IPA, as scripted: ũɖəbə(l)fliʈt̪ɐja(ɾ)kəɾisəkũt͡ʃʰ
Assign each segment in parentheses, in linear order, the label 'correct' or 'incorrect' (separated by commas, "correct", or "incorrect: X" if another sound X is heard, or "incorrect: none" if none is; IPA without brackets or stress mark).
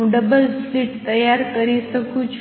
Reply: correct, correct